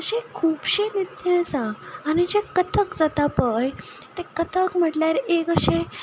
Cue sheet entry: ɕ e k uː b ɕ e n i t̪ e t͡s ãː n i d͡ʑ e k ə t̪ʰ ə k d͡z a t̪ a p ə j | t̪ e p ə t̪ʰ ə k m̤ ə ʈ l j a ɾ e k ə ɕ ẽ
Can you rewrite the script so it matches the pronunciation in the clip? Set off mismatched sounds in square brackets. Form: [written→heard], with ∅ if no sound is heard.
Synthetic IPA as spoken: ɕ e [k→kʰ] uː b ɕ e n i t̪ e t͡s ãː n i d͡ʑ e k ə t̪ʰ ə k d͡z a t̪ a p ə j | t̪ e [p→k] ə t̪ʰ ə k m̤ ə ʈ l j a ɾ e k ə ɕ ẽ